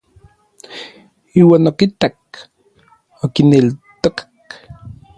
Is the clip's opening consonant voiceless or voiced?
voiced